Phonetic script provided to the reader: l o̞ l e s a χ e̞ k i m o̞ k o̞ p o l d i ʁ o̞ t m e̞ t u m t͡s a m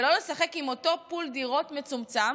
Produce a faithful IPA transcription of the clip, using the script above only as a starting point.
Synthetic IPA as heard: l o̞ l e s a χ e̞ k i m o̞ t o̞ p u l d i ʁ o̞ t m e̞ t͡s u m t͡s a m